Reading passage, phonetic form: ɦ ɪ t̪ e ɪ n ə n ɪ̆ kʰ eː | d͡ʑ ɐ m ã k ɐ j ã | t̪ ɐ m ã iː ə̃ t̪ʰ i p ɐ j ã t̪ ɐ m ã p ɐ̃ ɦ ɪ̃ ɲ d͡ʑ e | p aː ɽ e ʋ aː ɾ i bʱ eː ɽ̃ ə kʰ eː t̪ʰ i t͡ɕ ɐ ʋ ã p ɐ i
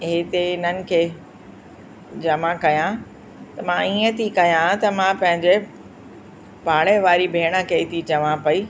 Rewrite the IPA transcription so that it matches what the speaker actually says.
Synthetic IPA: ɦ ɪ t̪ e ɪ n ə n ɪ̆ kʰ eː | d͡ʑ ɐ m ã k ɐ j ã | t̪ ɐ m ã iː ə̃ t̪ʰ i k ɐ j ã t̪ ɐ m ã p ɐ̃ ɦ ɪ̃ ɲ d͡ʑ e | p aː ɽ e ʋ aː ɾ i bʱ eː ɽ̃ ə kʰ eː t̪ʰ i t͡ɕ ɐ ʋ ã p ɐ i